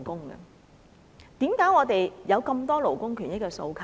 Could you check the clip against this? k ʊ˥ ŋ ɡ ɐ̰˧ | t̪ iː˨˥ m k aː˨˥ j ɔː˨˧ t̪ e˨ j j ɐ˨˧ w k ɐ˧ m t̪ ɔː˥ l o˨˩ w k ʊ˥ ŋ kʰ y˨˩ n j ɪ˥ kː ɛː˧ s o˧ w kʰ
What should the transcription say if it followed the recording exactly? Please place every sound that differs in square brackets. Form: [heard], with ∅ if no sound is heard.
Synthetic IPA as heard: k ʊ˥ ŋ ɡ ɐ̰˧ | t̪ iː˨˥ m k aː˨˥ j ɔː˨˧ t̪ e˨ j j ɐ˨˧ w k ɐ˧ m t̪ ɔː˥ l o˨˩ w k ʊ˥ ŋ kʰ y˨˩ n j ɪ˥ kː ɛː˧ s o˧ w kʰ

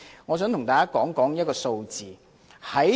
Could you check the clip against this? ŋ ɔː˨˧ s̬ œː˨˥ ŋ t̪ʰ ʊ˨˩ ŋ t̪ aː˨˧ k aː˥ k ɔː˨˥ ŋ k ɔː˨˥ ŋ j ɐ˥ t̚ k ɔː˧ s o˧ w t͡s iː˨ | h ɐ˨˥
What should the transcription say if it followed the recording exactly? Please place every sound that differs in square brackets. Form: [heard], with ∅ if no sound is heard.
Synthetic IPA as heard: ŋ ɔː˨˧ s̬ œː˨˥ ŋ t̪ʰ ʊ˨˩ ŋ t̪ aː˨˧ k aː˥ k ɔː˨˥ ŋ k ɔː˨˥ ŋ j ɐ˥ t̚ k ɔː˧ s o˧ w t͡s iː˨ | h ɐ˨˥

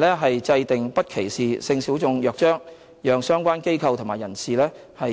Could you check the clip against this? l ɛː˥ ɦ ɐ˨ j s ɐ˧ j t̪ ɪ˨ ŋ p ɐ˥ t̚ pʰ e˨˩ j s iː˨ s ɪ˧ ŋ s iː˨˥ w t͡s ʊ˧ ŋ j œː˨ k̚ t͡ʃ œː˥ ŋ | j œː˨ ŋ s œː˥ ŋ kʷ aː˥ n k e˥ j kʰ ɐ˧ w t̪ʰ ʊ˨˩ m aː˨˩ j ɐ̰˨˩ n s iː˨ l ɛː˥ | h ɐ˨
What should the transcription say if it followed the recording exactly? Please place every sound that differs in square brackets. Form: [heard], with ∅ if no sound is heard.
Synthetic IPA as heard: l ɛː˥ ɦ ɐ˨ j [t͡s] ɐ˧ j t̪ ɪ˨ ŋ p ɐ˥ t̚ [kʰ] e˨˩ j s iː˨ s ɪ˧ ŋ s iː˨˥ w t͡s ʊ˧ ŋ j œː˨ k̚ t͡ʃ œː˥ ŋ | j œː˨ ŋ s œː˥ ŋ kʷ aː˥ n k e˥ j kʰ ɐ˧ w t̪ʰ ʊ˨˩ m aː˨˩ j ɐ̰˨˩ n s iː˨ l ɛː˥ | h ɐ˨

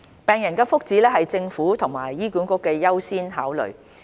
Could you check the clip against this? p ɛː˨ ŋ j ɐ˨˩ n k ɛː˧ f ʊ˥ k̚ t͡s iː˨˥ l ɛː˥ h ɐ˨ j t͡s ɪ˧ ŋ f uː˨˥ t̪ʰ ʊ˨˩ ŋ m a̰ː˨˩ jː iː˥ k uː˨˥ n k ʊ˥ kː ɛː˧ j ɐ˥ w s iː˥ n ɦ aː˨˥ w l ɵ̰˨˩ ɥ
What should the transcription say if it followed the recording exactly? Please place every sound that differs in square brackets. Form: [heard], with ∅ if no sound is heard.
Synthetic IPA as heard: p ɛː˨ ŋ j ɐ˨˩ n k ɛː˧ f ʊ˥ k̚ t͡s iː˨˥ l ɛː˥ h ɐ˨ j t͡s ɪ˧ ŋ f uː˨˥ t̪ʰ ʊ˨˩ ŋ m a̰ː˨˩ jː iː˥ k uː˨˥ n k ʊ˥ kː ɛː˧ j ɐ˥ w s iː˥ n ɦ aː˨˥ w l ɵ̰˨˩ ɥ

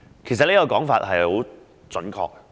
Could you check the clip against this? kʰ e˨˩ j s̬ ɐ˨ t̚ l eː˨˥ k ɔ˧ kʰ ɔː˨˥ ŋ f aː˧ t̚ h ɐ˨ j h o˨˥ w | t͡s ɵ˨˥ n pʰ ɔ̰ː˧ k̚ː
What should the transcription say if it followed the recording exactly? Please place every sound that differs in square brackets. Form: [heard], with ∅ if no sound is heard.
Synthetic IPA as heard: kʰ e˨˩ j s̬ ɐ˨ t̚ l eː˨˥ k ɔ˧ [k] ɔː˨˥ ŋ f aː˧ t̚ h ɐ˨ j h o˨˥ w | t͡s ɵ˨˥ n [kʰ] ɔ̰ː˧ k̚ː

